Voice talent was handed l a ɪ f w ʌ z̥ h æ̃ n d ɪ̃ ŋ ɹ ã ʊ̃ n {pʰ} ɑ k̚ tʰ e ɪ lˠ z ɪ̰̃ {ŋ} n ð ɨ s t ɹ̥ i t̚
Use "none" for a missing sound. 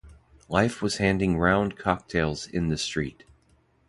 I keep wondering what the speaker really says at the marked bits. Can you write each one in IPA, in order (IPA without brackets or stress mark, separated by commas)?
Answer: kʰ, none